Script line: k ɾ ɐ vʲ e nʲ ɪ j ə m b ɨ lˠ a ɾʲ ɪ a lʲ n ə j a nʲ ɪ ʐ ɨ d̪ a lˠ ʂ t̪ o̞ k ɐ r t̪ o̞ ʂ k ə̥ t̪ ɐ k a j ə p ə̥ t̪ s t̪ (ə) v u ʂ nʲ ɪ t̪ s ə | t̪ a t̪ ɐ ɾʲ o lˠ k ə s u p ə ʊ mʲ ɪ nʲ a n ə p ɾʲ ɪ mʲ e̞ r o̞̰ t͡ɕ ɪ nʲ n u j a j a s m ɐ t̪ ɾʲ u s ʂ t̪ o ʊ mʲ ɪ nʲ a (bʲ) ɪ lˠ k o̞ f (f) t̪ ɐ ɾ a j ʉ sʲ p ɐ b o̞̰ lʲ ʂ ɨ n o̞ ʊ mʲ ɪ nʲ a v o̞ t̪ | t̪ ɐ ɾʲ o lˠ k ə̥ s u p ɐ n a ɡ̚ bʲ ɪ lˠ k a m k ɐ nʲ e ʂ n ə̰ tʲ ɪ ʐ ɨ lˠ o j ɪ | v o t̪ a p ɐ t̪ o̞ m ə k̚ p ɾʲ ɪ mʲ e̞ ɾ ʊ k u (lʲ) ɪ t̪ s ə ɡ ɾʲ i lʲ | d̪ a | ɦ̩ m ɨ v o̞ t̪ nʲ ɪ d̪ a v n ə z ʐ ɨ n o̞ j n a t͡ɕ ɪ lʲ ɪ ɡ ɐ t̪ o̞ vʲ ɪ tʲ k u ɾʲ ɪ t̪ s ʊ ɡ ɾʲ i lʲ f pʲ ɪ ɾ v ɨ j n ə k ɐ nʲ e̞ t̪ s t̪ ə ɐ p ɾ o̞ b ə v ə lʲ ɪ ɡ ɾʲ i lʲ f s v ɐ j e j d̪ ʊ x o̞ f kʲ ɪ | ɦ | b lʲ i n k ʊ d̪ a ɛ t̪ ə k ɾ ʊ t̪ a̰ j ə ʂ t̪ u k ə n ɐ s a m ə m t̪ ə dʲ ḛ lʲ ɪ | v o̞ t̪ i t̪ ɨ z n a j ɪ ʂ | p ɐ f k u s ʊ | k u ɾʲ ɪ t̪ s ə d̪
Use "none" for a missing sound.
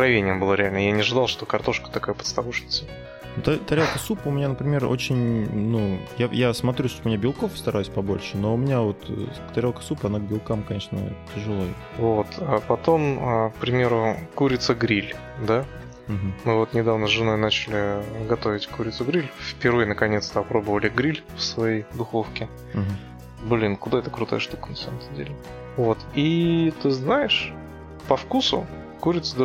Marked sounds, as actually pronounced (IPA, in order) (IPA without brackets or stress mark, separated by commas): ɐ, bʲ, s, ɾʲ